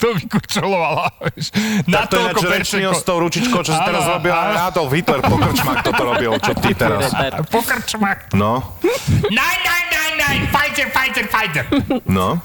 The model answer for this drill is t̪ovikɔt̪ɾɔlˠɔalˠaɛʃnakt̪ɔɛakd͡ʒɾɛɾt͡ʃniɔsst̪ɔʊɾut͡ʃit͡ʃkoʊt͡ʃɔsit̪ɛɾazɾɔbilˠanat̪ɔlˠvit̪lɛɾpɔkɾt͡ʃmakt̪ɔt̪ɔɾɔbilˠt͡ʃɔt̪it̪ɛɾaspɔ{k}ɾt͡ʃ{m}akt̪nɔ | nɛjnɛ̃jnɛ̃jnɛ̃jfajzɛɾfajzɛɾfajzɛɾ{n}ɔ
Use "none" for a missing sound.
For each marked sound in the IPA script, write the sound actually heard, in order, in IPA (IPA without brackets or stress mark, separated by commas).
k, m, n